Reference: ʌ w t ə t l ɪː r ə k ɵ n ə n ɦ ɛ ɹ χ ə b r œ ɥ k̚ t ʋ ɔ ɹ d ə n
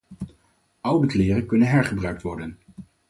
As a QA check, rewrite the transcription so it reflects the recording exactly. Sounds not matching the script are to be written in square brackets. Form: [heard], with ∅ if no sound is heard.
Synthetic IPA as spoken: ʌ w [d] ə [k] l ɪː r ə k ɵ n ə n ɦ ɛ ɹ χ ə b r œ ɥ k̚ t ʋ ɔ ɹ d ə n